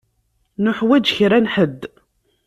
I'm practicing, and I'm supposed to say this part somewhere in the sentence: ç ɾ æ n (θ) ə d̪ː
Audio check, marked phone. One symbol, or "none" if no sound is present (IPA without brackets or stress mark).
ħ